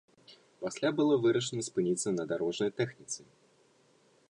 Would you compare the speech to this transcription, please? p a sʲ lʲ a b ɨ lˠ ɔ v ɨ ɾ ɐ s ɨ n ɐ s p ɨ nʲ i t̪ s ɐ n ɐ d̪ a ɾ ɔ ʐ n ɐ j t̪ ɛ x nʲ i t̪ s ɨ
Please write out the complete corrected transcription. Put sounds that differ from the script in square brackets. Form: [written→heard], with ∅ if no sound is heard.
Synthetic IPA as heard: p a sʲ lʲ a b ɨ lˠ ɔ v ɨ ɾ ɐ [s→ʂ] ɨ n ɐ s p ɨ nʲ i t̪ s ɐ n ɐ d̪ a ɾ ɔ ʐ n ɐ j t̪ ɛ x nʲ i t̪ s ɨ

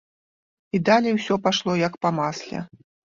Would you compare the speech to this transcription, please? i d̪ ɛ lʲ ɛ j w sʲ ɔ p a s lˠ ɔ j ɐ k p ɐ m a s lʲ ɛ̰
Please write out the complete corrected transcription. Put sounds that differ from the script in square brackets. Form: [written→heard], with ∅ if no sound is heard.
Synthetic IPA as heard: i d̪ [ɛ→a] lʲ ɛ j w sʲ ɔ p a [s→ʂ] lˠ ɔ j ɐ k p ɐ m a s lʲ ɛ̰

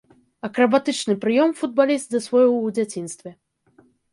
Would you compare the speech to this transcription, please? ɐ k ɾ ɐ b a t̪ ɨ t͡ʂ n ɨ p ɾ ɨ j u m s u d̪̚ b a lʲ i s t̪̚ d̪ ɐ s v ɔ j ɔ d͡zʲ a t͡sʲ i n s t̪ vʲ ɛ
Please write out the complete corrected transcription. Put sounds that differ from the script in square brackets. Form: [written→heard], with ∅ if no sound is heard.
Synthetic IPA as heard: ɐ k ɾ ɐ b a t̪ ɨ t͡ʂ n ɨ p ɾ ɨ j [u→ɔ] m [s→f] u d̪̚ b a lʲ i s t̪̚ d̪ ɐ s v ɔ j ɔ d͡zʲ a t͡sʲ i n s t̪ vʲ ɛ

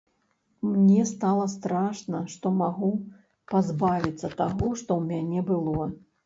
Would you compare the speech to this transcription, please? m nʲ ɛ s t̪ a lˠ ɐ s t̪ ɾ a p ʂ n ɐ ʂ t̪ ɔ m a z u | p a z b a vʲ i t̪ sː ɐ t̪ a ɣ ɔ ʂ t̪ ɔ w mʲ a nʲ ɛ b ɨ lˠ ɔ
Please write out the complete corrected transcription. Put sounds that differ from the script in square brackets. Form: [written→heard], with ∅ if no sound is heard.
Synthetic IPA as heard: m nʲ ɛ s t̪ a lˠ ɐ s t̪ ɾ a [p→∅] ʂ n ɐ ʂ t̪ ɔ m a [z→ɣ] u | p a z b a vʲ i t̪ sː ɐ t̪ a ɣ ɔ ʂ t̪ ɔ w mʲ a nʲ ɛ b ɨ lˠ ɔ

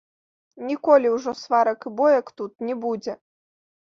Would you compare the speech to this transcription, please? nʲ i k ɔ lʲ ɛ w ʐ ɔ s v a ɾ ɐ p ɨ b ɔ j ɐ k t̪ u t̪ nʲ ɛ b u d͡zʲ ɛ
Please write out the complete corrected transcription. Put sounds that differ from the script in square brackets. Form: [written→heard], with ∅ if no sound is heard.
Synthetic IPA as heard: nʲ i k ɔ lʲ [ɛ→i] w ʐ ɔ s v a ɾ ɐ [p→k] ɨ b ɔ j ɐ k t̪ u t̪ nʲ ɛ b u d͡zʲ ɛ

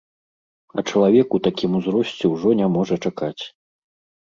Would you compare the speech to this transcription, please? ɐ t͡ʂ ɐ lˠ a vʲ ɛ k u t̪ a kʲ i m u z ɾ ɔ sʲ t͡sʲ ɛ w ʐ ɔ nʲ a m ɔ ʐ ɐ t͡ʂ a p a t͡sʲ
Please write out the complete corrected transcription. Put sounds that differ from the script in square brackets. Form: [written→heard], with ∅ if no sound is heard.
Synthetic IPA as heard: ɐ t͡ʂ ɐ lˠ a vʲ ɛ k u t̪ a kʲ i m u z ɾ ɔ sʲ t͡sʲ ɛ w ʐ ɔ nʲ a m ɔ ʐ ɐ t͡ʂ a [p→k] a t͡sʲ

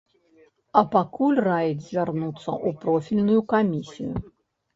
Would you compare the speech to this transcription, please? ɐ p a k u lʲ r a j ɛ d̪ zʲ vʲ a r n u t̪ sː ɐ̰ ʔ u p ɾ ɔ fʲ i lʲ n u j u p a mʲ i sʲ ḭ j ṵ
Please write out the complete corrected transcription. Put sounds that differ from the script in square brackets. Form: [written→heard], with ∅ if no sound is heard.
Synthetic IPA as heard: ɐ p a k u lʲ r a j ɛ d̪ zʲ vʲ a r n u t̪ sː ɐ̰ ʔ u p ɾ ɔ fʲ i lʲ n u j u [p→k] a mʲ i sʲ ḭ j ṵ

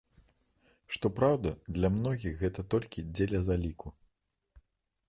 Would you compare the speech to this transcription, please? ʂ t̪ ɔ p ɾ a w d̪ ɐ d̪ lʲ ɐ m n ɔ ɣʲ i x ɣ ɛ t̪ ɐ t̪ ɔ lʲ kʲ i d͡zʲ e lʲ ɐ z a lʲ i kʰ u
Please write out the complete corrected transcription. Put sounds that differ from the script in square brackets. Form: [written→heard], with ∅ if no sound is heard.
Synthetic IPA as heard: ʂ t̪ ɔ p ɾ a w d̪ ɐ d̪ lʲ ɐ m n ɔ ɣʲ i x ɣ ɛ t̪ ɐ t̪ ɔ lʲ kʲ i d͡zʲ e lʲ ɐ z a lʲ i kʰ u

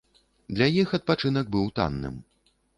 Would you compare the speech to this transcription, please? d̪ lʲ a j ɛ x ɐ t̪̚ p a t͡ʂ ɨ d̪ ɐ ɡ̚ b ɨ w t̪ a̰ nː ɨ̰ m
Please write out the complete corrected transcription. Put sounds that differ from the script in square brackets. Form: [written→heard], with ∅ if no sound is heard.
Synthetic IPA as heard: d̪ lʲ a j [ɛ→i] x ɐ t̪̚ p a t͡ʂ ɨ [d̪→n̪] ɐ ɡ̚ b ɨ w t̪ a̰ nː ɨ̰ m

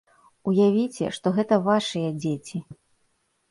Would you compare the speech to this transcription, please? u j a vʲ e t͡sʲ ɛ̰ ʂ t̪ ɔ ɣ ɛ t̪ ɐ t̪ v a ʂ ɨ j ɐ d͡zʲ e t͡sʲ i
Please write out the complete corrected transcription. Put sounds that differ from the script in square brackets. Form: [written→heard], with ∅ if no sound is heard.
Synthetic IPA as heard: u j a vʲ [e→i] t͡sʲ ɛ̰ ʂ t̪ ɔ ɣ ɛ t̪ ɐ [t̪→∅] v a ʂ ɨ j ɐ d͡zʲ e t͡sʲ i

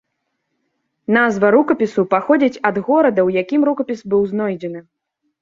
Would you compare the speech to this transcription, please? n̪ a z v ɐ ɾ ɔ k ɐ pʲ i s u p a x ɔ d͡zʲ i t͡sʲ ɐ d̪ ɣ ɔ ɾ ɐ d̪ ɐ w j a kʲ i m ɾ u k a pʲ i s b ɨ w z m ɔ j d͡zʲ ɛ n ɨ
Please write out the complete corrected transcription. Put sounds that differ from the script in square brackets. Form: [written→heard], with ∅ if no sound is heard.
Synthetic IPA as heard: n̪ a z v ɐ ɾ [ɔ→u] k ɐ pʲ i s u p a x ɔ d͡zʲ i t͡sʲ ɐ d̪ ɣ ɔ ɾ ɐ d̪ ɐ w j a kʲ i m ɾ u k [a→ɐ] pʲ i s b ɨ w z [m→n] ɔ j d͡zʲ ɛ n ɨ

